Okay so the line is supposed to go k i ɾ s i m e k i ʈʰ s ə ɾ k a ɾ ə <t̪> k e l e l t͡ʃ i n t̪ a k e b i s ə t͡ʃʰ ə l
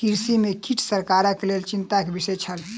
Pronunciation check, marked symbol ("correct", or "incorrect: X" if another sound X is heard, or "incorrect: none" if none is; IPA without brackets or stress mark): incorrect: none